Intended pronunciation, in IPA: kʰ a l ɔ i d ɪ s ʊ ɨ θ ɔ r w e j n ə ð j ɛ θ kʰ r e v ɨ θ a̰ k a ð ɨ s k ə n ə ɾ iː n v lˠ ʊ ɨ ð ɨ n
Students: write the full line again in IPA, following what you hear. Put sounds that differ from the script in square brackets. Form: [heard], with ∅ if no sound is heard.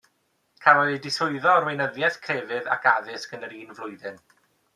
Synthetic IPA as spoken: kʰ a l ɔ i d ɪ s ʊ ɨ [ð] ɔ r w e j n ə ð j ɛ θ kʰ r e v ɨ [ð] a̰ k a ð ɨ s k ə n ə ɾ iː n v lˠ ʊ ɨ ð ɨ n